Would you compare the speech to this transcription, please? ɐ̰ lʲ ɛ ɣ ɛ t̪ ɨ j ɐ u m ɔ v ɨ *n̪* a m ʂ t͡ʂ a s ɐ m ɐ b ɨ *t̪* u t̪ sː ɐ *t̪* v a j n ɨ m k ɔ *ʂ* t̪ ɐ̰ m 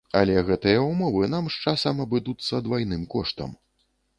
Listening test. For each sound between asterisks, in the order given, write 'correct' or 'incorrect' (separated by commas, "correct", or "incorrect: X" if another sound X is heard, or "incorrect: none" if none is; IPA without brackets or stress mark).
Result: correct, incorrect: d̪, incorrect: d̪, correct